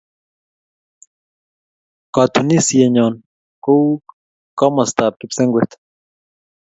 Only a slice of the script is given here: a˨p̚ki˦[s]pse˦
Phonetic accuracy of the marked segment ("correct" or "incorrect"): incorrect